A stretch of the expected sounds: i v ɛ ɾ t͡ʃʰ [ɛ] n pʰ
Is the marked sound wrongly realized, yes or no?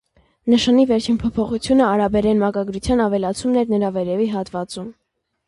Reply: yes